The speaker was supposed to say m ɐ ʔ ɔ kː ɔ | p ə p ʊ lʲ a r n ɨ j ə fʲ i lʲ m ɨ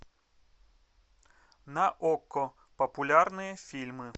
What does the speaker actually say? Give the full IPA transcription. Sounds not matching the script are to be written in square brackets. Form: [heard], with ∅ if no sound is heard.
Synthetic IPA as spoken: [n] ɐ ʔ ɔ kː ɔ | p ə p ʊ lʲ a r n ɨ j ə fʲ i lʲ m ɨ